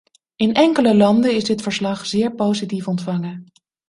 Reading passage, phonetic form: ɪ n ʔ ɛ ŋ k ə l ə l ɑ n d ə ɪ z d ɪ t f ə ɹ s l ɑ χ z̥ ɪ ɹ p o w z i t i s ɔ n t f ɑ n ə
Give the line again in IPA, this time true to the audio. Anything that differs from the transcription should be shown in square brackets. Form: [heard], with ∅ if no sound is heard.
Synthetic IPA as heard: ɪ n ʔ ɛ ŋ k ə l ə l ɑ n d ə ɪ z d ɪ t f ə ɹ s l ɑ χ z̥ [ɪː] ɹ p o w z i t i [f] ɔ n t f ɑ [ŋ] ə